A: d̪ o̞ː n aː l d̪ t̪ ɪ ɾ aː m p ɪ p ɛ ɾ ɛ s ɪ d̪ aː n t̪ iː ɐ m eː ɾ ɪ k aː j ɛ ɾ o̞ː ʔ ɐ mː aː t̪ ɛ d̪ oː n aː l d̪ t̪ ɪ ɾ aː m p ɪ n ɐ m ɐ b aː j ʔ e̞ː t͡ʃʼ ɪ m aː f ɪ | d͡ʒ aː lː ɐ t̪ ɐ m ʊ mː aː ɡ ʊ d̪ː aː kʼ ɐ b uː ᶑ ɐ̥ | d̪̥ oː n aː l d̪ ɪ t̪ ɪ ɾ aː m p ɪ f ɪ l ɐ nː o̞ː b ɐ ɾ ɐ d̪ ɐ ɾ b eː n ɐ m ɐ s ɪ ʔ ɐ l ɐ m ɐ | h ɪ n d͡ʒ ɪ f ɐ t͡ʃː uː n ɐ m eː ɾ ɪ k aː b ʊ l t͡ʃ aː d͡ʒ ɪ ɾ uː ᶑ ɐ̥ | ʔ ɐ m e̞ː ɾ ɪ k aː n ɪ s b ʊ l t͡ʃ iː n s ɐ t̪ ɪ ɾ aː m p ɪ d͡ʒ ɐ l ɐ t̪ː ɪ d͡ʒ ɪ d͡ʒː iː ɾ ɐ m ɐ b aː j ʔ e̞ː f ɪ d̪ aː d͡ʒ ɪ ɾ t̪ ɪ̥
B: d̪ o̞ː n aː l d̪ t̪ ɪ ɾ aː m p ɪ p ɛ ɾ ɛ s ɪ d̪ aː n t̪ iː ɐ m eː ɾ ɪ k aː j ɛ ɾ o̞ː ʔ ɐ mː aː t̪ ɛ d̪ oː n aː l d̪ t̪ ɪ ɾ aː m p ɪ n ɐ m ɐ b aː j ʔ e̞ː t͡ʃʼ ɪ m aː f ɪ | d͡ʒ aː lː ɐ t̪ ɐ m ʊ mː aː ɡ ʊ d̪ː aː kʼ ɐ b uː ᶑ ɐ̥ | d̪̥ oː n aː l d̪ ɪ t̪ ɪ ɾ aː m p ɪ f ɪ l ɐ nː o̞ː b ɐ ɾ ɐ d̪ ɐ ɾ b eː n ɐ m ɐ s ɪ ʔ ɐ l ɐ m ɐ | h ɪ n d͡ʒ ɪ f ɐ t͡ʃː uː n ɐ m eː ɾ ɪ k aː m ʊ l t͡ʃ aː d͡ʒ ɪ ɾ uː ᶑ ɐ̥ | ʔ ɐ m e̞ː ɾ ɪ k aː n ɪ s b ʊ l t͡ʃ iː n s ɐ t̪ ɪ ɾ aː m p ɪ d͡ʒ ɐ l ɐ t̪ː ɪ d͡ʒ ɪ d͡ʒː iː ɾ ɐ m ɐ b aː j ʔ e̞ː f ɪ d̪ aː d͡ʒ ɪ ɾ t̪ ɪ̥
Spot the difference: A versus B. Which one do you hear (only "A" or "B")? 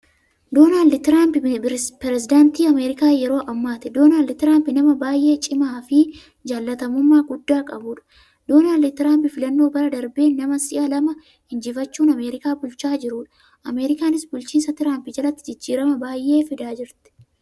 A